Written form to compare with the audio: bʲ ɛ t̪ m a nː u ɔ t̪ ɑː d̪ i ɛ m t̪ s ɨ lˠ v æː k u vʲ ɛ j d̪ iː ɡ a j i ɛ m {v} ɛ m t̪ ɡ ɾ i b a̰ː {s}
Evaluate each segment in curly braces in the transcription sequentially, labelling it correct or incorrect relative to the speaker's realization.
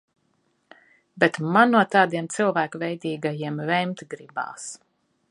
correct, correct

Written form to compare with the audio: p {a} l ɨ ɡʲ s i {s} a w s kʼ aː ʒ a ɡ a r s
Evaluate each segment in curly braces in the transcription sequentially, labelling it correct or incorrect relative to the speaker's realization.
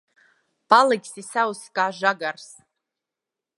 correct, correct

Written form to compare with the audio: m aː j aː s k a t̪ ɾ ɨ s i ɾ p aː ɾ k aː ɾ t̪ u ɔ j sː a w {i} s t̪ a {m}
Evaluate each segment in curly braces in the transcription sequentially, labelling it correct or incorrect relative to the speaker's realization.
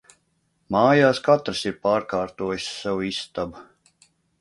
correct, incorrect: b

